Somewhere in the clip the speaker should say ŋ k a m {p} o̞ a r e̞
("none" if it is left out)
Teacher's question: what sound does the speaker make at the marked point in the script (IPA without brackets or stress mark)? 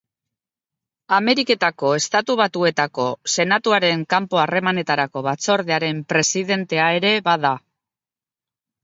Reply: p